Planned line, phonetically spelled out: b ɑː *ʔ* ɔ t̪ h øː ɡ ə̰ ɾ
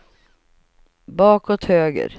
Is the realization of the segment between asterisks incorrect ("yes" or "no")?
yes